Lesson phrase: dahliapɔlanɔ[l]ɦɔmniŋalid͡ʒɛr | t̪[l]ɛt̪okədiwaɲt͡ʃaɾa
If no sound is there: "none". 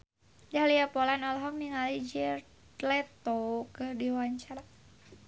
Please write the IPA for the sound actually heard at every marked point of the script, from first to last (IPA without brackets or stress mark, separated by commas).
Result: l, l